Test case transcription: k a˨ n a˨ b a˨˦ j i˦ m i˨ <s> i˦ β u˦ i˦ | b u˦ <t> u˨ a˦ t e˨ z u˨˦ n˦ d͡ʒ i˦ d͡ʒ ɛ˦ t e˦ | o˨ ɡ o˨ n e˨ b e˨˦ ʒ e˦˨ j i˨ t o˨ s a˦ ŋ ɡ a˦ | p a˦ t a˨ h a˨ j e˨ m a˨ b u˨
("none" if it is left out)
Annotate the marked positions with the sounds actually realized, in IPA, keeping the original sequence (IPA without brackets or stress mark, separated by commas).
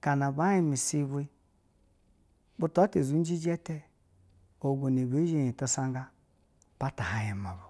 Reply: s, t